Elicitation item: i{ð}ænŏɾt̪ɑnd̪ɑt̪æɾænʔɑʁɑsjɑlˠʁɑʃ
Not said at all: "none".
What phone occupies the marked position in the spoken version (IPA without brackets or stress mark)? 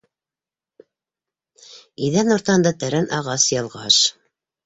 ð